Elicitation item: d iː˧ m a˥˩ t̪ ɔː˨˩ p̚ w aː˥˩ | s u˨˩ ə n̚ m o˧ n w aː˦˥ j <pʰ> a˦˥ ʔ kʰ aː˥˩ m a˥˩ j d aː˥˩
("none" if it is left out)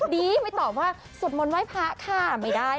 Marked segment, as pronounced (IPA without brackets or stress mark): pʰ